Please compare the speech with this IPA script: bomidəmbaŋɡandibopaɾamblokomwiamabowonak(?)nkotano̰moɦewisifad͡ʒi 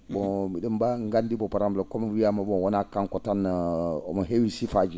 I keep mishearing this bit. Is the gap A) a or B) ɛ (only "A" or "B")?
A